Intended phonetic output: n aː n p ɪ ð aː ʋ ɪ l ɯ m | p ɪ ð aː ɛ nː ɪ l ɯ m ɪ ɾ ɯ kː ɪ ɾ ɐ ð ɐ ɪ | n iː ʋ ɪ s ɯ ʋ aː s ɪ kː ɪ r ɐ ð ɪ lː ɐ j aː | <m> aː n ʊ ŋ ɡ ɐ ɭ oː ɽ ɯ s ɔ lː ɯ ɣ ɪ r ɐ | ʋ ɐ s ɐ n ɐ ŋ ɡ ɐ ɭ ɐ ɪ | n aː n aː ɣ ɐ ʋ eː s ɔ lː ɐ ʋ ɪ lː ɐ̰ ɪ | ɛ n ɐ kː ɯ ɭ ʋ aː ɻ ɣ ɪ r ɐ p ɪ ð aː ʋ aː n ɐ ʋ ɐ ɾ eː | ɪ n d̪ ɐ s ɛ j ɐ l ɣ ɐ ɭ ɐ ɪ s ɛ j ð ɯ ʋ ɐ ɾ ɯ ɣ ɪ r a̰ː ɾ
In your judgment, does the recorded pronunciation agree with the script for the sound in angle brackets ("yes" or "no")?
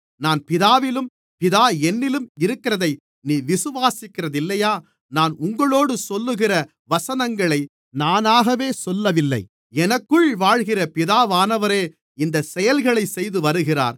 no